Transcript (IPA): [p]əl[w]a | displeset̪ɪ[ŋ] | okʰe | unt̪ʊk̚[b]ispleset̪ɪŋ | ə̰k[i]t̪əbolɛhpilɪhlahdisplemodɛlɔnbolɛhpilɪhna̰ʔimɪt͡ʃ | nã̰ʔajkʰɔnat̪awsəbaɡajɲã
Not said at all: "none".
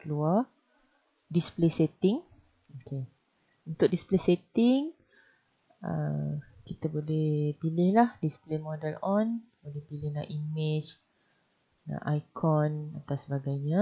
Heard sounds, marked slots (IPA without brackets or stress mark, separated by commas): k, u, ŋ, d, i